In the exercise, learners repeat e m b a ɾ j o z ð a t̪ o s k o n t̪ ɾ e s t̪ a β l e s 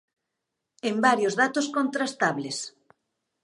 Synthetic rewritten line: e m b a ɾ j o z ð a t̪ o s k o n t̪ ɾ a s t̪ a β l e s